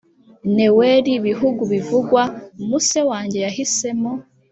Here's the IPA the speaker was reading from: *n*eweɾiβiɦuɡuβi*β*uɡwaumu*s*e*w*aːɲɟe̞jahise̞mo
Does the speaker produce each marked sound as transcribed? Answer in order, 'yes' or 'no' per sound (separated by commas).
yes, no, yes, yes